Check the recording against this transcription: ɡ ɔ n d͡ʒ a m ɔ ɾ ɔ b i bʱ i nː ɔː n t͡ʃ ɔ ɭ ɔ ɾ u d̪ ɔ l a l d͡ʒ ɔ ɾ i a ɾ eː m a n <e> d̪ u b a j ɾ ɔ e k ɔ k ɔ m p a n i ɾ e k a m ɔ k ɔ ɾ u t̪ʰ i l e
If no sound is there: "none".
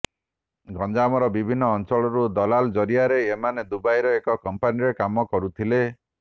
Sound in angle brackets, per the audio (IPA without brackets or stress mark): e